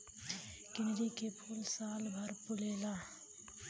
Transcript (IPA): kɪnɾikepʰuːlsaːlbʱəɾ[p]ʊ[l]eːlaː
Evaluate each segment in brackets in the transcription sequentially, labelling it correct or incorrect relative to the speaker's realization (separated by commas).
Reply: correct, correct